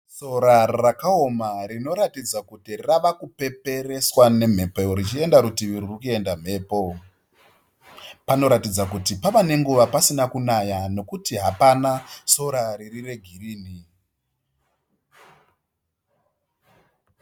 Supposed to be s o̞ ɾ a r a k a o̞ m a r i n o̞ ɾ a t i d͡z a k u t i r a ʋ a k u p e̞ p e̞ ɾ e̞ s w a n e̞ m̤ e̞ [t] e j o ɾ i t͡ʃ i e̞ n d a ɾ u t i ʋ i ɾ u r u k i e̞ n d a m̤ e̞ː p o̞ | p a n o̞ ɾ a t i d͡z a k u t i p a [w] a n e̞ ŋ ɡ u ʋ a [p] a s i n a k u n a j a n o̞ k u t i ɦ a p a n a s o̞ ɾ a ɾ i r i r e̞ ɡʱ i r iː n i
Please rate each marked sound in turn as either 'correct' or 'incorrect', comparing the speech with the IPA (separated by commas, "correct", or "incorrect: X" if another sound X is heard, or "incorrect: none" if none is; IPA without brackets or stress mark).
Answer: incorrect: p, incorrect: ʋ, correct